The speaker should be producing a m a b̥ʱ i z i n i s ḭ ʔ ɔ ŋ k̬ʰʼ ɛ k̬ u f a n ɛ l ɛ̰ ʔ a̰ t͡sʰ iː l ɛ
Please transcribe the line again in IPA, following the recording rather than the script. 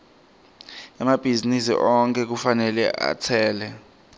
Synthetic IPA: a m a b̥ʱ i z i n i s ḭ ʔ ɔ ŋ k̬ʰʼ ɛ k̬ u f a n ɛ l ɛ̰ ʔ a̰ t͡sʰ ɛː l ɛ